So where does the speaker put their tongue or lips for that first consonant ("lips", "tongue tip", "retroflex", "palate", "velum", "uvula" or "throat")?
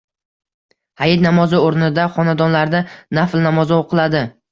throat